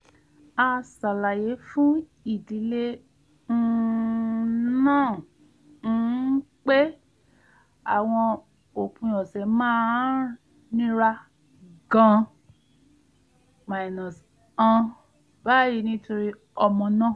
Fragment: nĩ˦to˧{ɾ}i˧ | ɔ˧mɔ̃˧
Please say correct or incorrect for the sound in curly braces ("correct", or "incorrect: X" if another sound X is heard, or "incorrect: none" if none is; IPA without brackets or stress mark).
correct